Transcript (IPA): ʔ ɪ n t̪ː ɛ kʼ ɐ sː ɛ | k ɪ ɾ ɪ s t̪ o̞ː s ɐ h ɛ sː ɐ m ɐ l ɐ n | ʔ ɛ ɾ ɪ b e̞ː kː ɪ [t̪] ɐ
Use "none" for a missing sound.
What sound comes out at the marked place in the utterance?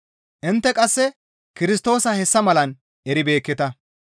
t̪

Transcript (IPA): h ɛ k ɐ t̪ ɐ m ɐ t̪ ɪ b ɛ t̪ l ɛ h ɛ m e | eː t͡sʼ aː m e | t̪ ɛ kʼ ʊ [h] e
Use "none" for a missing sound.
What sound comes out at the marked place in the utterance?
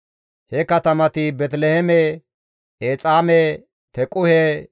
h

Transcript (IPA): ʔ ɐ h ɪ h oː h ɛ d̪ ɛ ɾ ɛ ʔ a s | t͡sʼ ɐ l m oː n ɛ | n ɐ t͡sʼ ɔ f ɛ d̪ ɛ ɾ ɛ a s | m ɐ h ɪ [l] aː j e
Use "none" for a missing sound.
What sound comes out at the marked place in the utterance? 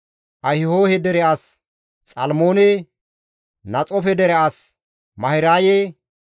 ɾ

